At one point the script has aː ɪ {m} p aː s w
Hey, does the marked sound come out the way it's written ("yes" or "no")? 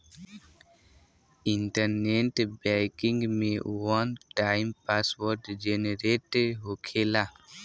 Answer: yes